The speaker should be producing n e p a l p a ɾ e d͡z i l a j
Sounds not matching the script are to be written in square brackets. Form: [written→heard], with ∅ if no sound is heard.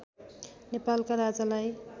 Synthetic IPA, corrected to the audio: n e p a l [p→k] a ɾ [e→a] d͡z [i→a] l a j